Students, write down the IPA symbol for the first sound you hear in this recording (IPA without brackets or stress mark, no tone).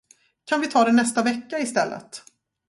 kʰ